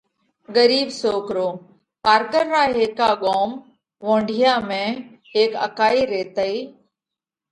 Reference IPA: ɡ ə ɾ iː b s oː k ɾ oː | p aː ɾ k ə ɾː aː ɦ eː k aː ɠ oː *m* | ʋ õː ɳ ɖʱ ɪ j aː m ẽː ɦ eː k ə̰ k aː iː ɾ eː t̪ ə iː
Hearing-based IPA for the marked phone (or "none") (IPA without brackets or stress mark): m